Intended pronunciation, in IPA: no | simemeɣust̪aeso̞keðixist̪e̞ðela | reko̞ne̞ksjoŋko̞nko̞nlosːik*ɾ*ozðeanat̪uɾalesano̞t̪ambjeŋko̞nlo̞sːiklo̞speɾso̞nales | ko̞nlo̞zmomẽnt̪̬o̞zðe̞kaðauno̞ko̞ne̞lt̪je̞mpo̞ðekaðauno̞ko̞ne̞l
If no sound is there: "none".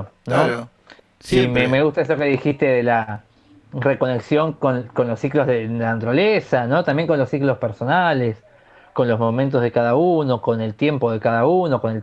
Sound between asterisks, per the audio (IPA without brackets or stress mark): l